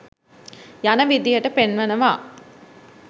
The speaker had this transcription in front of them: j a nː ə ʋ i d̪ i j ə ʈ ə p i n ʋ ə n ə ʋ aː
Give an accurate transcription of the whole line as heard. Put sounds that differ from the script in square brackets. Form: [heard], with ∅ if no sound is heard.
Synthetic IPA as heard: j a [n] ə ʋ i d̪ i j ə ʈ ə p [e] n ʋ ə n ə ʋ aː